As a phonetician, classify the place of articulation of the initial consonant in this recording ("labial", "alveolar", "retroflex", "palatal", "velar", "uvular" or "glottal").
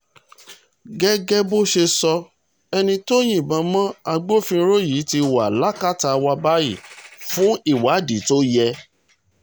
velar